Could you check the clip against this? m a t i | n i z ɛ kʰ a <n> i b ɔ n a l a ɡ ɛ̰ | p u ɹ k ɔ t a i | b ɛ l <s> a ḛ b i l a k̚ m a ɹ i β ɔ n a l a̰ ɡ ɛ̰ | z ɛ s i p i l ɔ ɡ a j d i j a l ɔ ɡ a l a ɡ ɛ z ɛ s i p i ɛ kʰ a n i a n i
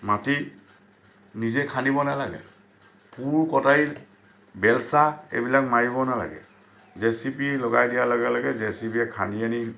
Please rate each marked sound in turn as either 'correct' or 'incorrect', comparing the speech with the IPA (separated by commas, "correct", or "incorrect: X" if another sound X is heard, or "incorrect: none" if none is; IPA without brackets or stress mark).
correct, correct